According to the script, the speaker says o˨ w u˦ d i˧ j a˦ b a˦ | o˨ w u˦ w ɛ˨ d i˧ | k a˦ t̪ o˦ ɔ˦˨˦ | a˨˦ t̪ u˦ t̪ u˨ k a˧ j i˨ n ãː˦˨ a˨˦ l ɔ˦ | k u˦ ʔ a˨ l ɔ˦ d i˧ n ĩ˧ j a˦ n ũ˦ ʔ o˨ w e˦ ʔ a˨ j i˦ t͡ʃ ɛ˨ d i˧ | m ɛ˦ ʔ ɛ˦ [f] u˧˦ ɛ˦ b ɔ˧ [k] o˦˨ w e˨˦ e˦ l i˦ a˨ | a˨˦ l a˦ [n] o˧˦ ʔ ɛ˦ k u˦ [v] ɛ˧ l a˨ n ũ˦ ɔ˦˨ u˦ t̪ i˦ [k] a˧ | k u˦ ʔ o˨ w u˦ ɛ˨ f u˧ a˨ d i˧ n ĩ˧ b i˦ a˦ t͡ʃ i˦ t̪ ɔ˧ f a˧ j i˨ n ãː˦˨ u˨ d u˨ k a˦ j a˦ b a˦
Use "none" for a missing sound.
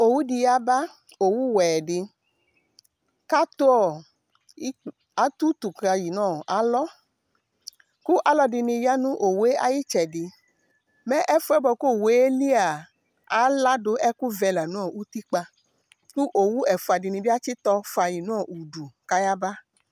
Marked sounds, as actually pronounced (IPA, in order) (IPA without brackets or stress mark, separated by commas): f, k, d, v, k͡p